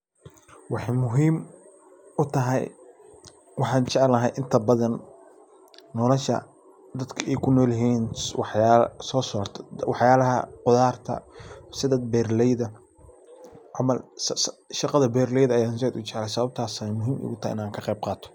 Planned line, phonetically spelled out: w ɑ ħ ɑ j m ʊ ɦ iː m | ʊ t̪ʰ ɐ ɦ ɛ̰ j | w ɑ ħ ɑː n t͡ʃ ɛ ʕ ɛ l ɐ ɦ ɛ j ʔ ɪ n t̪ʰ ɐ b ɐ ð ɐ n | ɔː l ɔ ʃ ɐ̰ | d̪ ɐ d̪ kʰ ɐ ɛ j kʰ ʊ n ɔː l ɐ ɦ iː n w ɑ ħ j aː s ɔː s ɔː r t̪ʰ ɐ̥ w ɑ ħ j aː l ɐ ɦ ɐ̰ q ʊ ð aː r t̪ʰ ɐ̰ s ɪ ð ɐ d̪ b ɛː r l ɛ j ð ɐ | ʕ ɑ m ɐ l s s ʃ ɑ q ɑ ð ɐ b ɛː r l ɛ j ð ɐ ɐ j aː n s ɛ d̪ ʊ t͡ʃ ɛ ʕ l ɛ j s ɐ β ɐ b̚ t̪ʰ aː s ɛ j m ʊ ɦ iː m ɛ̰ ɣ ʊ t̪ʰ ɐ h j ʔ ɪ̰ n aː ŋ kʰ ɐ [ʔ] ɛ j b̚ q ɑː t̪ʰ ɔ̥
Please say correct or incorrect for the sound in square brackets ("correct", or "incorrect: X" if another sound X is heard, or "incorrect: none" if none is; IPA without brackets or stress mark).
incorrect: q